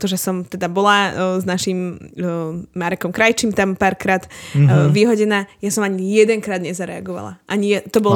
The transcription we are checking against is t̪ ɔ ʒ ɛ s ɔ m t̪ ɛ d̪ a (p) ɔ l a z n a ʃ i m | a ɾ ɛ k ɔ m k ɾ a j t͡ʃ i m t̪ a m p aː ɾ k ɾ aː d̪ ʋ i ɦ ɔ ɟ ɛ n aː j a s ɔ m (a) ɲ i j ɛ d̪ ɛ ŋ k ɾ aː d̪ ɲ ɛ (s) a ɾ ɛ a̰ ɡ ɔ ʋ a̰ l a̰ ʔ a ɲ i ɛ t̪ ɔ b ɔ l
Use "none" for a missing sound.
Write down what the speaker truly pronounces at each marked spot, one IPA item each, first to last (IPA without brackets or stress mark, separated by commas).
b, a, z